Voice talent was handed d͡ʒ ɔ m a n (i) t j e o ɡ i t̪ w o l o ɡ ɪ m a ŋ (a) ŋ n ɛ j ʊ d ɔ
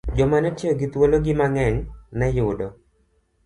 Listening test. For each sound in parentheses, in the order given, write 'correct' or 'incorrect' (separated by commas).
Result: incorrect, incorrect